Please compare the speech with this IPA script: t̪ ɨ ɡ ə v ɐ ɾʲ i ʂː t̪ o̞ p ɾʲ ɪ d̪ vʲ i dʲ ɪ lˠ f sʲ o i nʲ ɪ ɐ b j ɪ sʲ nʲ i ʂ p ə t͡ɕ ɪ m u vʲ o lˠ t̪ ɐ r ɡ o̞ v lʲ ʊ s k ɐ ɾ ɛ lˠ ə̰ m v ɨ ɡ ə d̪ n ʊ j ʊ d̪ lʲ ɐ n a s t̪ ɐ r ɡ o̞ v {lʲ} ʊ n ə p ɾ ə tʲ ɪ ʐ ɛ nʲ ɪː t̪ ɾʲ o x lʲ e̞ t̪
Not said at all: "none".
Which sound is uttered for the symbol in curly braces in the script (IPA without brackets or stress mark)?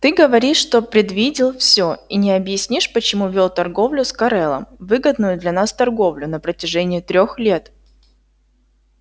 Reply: lʲ